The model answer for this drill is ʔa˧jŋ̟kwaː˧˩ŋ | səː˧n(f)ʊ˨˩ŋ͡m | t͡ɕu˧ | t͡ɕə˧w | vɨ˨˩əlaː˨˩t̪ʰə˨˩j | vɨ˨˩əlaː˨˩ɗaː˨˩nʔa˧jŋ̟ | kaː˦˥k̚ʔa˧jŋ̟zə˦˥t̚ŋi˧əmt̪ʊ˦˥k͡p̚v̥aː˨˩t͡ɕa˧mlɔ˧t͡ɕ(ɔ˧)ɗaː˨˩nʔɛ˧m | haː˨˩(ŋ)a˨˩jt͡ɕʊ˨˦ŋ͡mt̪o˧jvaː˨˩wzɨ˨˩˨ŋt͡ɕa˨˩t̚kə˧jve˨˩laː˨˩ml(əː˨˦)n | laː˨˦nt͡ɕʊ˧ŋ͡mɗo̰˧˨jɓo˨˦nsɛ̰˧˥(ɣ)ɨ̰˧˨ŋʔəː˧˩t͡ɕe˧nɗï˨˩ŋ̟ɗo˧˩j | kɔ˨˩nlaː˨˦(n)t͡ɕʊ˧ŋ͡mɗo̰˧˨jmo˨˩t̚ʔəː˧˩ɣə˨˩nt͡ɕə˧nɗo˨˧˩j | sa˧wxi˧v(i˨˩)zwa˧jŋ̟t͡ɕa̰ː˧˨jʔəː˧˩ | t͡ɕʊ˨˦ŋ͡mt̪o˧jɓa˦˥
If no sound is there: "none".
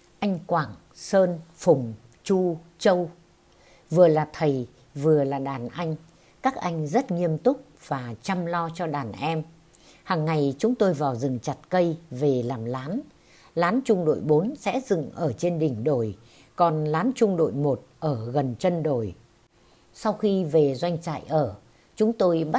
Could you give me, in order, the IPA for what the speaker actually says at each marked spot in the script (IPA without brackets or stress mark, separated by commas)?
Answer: f, ɔ˧, ŋː, aː˨˦, z, n, e˨˩